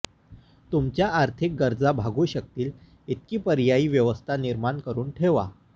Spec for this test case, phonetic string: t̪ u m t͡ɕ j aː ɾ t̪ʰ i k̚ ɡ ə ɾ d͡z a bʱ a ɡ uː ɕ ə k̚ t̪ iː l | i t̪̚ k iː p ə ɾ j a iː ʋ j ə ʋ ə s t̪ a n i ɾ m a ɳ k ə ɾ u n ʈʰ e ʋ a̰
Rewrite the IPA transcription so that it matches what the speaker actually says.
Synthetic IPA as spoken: t̪ u m t͡ɕ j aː ɾ t̪ʰ i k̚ ɡ ə ɾ d͡z a bʱ a ɡ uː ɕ ə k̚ t̪ iː l | i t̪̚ k iː p ə ɾ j a iː ʋ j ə ʋ ə s t̪ʰ a n i ɾ m a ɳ k ə ɾ uː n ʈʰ e ʋ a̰